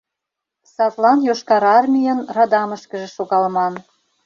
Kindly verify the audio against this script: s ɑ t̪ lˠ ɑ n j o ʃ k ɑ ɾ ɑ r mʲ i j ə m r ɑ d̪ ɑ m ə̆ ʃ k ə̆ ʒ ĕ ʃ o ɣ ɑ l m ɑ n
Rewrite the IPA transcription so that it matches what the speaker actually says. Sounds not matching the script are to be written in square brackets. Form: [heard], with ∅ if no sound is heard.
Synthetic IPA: s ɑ t̪ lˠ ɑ n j o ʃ k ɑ ɾ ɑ r mʲ i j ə [n] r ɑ d̪ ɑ m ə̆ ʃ k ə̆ ʒ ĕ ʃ o ɣ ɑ l m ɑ n